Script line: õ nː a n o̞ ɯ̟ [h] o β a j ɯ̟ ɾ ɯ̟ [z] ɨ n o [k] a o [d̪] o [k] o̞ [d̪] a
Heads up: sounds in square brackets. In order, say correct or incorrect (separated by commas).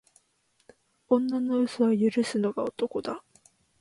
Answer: incorrect, incorrect, incorrect, incorrect, correct, correct